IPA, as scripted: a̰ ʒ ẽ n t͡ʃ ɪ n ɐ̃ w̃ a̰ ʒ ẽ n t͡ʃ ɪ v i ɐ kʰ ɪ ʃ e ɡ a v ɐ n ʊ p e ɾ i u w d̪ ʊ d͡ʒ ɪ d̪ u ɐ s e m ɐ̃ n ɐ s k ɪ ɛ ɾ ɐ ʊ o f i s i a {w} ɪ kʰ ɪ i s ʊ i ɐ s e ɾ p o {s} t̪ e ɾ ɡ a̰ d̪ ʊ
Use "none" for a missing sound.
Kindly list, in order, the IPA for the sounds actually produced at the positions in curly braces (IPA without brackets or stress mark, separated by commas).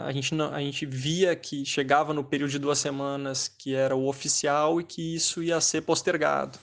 w, s